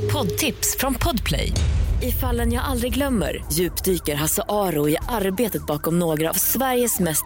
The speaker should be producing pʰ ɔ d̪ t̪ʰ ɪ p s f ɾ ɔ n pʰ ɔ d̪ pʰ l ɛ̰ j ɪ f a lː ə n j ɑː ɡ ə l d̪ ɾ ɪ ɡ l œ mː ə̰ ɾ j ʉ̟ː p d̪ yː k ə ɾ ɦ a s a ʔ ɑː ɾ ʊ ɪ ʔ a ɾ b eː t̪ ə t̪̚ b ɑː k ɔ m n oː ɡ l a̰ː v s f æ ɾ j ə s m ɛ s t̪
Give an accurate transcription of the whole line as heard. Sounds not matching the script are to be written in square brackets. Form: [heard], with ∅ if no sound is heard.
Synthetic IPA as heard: pʰ ɔ d̪ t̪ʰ ɪ p s f ɾ ɔ n pʰ ɔ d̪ pʰ l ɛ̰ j ɪ f a lː ə n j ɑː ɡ [a] l d̪ ɾ ɪ ɡ l œ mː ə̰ ɾ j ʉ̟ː p d̪ yː k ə ɾ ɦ a s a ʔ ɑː ɾ ʊ ɪ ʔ a ɾ b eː t̪ ə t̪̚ b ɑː k ɔ m n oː ɡ [ɾ] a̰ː v s [v] æ ɾ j ə s m ɛ s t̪